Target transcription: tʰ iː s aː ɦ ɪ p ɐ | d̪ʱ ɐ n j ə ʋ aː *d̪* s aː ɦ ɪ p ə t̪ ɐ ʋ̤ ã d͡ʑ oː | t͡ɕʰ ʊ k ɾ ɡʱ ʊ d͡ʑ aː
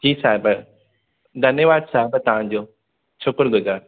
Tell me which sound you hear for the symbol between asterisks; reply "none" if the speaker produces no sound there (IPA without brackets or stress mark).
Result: d̪